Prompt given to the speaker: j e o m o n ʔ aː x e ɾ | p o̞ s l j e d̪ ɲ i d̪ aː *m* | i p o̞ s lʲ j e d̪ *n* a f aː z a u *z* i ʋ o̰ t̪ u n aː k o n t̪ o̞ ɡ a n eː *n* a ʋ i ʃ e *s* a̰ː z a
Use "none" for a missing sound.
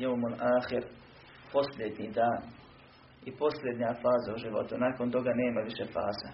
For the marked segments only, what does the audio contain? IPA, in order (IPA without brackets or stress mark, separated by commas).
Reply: n, ɲ, ʒ, m, f